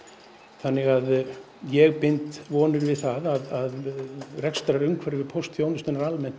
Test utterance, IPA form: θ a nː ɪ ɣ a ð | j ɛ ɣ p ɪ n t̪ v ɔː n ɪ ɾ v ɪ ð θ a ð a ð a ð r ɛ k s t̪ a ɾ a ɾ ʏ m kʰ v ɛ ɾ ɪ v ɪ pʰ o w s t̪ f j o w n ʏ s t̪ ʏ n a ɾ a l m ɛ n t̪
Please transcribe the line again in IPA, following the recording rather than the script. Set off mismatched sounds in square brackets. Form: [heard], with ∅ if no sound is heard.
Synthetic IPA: θ a nː ɪ ɣ a ð | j ɛ ɣ p ɪ n t̪ v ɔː n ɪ ɾ v ɪ ð θ a ð a ð a ð r ɛ k s t̪ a ɾ a ɾ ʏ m kʰ v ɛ ɾ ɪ v ɪ pʰ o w s t̪ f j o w n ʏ s t̪ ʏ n a ɾ a l m ɛ n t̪